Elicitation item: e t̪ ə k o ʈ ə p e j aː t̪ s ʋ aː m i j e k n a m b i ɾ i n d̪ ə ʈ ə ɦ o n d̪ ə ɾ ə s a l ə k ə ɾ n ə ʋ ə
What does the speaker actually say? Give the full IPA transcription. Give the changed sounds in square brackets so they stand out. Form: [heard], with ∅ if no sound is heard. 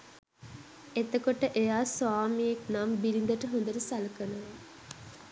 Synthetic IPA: e t̪ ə k o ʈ ə [ʔ] e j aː [∅] s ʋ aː m i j e k n a m b i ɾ i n d̪ ə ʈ ə ɦ o n d̪ ə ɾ ə s a l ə k ə [∅] n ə ʋ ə